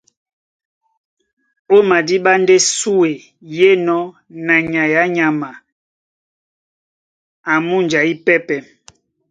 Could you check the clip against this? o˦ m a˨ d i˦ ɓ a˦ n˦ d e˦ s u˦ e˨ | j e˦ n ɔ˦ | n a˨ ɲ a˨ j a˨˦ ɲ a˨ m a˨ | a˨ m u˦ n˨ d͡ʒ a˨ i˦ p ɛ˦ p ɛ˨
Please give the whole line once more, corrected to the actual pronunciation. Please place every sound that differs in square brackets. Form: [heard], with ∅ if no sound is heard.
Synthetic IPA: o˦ m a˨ d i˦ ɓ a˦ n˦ d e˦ s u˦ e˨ | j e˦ n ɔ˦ | n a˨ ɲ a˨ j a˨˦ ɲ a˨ m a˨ | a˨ m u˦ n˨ d͡ʒ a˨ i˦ p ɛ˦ p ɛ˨